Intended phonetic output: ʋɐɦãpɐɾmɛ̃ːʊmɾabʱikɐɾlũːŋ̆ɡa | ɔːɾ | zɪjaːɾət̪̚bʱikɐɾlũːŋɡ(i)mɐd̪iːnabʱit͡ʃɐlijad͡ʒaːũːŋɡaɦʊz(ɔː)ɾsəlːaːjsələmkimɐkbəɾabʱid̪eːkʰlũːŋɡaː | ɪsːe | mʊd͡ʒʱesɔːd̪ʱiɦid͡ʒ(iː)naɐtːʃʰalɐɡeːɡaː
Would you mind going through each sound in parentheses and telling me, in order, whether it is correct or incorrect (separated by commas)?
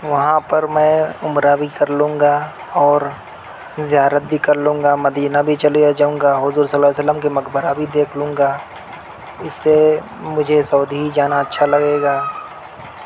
incorrect, incorrect, incorrect